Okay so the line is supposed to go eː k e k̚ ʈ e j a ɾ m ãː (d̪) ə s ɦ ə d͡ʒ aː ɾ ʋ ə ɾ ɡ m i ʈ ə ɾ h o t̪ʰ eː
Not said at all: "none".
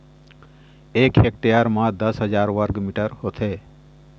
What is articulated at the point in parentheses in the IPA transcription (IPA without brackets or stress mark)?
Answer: d̪